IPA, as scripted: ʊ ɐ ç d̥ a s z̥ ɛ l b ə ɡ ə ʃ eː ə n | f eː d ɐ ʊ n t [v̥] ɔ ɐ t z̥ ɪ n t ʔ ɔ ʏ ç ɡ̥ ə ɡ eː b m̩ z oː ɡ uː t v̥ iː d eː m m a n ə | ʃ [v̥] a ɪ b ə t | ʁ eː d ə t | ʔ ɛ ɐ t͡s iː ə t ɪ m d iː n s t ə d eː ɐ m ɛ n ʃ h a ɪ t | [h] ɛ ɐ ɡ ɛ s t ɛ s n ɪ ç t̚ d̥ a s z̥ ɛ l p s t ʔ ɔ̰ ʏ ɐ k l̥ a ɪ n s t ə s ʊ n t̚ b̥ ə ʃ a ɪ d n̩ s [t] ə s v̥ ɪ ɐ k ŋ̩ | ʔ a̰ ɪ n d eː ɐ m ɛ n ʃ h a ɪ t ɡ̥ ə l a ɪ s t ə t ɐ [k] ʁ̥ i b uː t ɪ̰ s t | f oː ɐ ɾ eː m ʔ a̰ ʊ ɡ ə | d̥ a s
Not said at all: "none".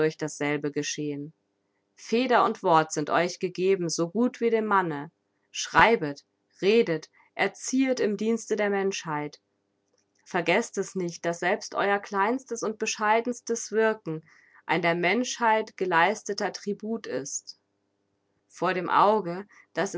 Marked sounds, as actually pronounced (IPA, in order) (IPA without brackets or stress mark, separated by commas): v̥, ʁ̥, f, t, t